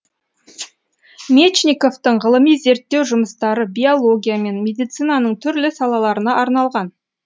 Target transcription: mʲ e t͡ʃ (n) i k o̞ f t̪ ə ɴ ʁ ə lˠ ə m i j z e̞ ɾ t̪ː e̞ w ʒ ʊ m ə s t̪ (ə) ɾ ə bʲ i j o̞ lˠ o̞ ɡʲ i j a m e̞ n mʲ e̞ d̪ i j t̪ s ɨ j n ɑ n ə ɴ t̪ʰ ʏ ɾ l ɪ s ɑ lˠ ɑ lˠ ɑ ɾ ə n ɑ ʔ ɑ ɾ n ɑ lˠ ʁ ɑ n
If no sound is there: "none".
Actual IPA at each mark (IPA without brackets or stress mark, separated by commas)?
n, ɑ